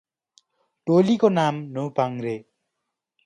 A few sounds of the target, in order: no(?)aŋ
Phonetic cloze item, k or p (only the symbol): p